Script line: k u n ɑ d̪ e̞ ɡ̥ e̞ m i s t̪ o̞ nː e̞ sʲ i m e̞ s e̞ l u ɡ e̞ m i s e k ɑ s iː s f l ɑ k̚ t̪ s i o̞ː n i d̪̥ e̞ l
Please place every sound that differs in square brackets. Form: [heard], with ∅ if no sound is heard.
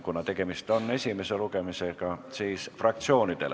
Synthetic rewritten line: k u n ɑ [t̪] e̞ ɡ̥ e̞ m i s t̪ o̞ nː e̞ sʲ i m e̞ s e̞ l u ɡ e̞ m i s e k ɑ s iː s f [r] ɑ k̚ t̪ s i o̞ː n i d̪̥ e̞ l